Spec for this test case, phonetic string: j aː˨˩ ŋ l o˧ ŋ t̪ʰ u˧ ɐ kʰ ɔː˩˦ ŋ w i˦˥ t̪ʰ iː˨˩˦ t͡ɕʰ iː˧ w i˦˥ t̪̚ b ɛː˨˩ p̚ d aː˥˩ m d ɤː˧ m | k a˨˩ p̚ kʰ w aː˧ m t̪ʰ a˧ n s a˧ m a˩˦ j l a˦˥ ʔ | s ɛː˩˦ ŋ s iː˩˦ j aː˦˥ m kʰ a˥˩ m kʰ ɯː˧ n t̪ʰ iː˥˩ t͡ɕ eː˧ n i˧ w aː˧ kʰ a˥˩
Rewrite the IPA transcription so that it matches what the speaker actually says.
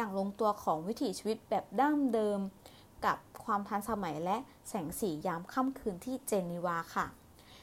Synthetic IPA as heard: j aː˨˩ ŋ l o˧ ŋ t̪ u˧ ɐ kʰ ɔː˩˦ ŋ w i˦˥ t̪ʰ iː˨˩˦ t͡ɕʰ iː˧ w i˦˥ t̪̚ b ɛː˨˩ p̚ d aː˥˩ m d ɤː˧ m | k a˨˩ p̚ kʰ w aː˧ m t̪ʰ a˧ n s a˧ m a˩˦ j l ɛ˦˥ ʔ | s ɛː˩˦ ŋ s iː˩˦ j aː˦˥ m kʰ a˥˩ m kʰ ɯː˧ n t̪ʰ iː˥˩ t͡ɕ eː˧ n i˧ w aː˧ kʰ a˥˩